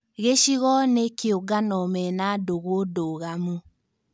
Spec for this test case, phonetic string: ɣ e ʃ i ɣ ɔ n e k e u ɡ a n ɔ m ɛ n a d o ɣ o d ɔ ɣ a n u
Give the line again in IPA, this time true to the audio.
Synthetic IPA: ɣ e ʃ i ɣ ɔ n e k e o ɡ a n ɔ m ɛ n a d o ɣ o d o ɣ a m u